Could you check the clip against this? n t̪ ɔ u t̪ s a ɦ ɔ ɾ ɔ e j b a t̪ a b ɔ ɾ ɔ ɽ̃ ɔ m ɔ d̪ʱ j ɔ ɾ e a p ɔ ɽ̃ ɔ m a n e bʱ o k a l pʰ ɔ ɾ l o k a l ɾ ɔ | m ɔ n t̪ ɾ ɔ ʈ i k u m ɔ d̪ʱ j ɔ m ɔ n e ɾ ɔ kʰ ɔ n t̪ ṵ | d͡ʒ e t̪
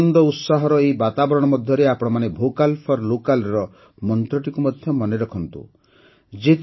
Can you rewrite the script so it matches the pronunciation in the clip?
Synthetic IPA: n d̪ ɔ u t̪ s a ɦ ɔ ɾ ɔ e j b a t̪ a b ɔ ɾ ɔ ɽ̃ ɔ m ɔ d̪ʱ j ɔ ɾ e a p ɔ ɽ̃ ɔ m a n e bʱ o k a l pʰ ɔ ɾ l o k a l ɾ ɔ | m ɔ n t̪ ɾ ɔ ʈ i k u m ɔ d̪ʱ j ɔ m ɔ n e ɾ ɔ kʰ ɔ n t̪ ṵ | d͡ʒ e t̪